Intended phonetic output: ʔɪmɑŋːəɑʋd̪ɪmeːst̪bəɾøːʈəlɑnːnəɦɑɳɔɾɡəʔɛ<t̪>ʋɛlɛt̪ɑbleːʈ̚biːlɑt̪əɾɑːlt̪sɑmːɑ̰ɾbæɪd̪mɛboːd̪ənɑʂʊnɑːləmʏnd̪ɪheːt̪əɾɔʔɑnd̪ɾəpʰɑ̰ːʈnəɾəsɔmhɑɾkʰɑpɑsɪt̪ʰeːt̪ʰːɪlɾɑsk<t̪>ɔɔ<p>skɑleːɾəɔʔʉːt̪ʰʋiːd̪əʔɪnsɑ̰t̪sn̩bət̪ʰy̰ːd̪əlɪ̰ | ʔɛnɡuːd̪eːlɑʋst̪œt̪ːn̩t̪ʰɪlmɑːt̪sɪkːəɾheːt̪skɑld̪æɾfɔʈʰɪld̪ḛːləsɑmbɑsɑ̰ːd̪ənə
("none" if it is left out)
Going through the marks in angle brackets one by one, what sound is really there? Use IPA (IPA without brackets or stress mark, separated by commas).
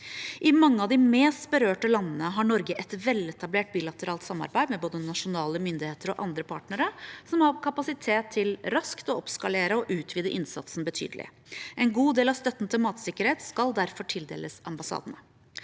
t̪, t̪, p